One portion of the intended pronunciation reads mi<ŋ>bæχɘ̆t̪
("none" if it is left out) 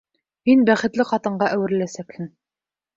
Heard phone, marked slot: n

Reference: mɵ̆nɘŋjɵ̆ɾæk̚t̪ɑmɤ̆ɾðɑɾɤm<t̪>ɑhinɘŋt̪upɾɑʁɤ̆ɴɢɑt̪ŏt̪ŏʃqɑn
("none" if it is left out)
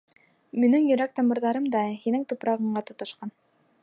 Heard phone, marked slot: d̪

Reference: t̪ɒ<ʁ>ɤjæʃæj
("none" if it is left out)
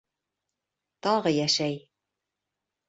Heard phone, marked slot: ʁ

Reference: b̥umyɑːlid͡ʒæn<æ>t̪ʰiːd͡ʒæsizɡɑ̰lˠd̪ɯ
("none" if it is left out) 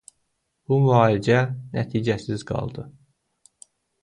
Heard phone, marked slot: æ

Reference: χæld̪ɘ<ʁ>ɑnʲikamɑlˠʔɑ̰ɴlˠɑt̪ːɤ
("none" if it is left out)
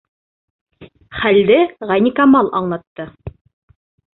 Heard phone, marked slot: ʁ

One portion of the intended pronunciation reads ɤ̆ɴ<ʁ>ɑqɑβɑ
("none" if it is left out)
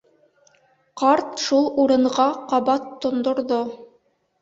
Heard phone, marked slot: ʁ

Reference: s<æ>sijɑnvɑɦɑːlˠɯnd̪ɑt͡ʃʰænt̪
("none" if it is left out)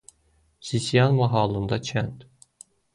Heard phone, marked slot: i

